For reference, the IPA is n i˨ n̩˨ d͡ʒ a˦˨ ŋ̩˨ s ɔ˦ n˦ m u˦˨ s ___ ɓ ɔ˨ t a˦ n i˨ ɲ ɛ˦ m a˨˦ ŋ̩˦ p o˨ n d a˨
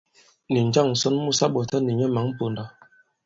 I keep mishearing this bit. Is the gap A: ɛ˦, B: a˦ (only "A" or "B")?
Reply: B